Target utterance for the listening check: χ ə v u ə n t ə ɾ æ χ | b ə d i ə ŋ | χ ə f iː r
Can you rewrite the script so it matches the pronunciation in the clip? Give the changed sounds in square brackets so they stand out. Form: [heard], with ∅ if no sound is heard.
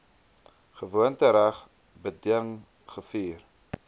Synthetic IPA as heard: χ ə v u ə n t ə ɾ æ χ | b ə d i ə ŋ | χ ə f iː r